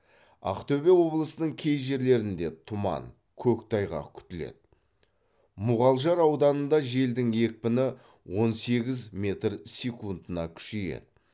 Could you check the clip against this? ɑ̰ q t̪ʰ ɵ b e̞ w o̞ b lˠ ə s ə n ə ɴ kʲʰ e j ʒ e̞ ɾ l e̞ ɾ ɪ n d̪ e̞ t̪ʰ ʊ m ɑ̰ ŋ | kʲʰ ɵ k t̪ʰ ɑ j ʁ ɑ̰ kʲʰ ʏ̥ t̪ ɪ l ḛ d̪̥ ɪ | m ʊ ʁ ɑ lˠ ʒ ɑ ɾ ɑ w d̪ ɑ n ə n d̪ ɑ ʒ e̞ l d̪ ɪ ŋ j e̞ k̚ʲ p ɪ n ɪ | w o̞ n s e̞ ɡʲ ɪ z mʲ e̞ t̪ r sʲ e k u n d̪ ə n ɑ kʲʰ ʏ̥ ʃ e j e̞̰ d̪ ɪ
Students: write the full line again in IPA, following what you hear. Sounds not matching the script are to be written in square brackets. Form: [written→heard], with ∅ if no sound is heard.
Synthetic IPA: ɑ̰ q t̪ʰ ɵ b e̞ w o̞ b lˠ ə s ə n ə ɴ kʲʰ e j ʒ e̞ ɾ l e̞ ɾ ɪ n d̪ e̞ t̪ʰ ʊ m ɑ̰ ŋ | kʲʰ ɵ k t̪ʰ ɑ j ʁ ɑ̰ kʲʰ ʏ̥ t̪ ɪ l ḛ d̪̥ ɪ | m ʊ ʁ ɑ lˠ ʒ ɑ ɾ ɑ w d̪ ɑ n ə n d̪ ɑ ʒ e̞ l d̪ ɪ ŋ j e̞ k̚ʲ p ɪ n ɪ | w o̞ n s e̞ ɡʲ ɪ z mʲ e̞ t̪ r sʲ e k u n d̪ ə n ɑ kʲʰ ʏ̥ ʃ e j e̞̰ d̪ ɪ